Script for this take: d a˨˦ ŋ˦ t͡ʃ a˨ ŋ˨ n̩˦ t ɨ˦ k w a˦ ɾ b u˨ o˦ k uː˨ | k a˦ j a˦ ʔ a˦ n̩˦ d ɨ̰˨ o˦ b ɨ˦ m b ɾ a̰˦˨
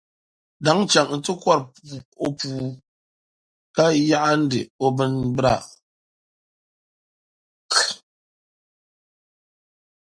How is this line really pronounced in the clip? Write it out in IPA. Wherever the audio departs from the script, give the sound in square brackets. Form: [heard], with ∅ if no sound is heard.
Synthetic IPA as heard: d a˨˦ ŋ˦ t͡ʃ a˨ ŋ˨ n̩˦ t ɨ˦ k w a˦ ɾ [p] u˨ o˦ [p] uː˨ | k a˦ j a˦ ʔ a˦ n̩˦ d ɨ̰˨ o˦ b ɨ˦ [n] b ɾ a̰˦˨